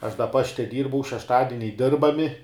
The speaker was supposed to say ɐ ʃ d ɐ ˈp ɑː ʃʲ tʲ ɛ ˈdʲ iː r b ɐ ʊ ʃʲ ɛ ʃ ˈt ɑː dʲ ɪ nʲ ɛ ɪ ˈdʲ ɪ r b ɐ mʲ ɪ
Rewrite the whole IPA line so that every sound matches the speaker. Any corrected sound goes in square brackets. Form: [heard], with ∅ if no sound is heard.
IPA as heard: ɐ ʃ d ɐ ˈp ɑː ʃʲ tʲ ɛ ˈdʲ iː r b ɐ ʊ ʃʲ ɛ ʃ ˈt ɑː dʲ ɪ nʲ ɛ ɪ ˈdʲ ɪ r b ɐ mʲ ɪ